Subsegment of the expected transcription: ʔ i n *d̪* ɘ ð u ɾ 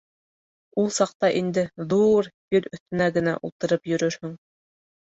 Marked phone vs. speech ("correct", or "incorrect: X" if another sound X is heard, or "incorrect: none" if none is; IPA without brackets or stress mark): correct